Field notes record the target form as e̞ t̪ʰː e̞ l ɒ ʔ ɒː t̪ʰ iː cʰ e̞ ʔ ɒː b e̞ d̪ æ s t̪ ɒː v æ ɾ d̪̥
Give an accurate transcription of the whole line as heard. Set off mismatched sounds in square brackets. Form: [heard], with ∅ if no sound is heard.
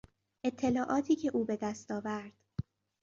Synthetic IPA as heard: e̞ t̪ʰː e̞ l [ɒː] ʔ ɒː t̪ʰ iː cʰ e̞ ʔ [uː] b e̞ d̪ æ s t̪ ɒː v æ ɾ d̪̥